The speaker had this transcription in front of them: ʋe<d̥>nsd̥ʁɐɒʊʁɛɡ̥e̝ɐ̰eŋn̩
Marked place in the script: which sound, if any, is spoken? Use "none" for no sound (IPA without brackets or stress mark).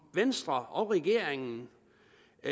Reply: none